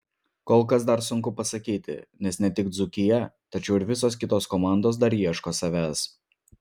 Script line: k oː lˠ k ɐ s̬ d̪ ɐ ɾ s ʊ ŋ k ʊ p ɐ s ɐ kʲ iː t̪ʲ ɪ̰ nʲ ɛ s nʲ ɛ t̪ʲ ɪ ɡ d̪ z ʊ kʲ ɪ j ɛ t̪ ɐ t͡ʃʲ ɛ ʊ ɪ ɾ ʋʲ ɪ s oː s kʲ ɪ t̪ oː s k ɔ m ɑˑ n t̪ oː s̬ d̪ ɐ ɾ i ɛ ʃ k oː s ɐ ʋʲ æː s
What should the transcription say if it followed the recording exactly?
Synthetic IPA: k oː lˠ k ɐ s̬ d̪ ɐ ɾ s ʊ ŋ k ʊ p ɐ s ɐ kʲ iː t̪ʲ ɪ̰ nʲ ɛ s nʲ ɛ t̪ʲ ɪ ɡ d̪ z ʊ kʲ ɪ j ɛ t̪ ɐ t͡ʃʲ ɛ ʊ ɪ ɾ ʋʲ ɪ s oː s kʲ ɪ t̪ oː s k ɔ m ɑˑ n d̪ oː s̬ d̪ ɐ ɾ i ɛ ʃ k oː s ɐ ʋʲ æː s